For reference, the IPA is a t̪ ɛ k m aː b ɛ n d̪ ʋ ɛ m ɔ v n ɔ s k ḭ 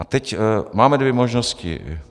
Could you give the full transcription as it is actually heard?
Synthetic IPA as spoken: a t̪ ɛ c m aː m ɛ d̪ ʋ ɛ m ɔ ʒ n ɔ s c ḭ